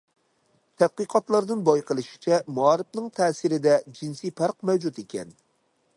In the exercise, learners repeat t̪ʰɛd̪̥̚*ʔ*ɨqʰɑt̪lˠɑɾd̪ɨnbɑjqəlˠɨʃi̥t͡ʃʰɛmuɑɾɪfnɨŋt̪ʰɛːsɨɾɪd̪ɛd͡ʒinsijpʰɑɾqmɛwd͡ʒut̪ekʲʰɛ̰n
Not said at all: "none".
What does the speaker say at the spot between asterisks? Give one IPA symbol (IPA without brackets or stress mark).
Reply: q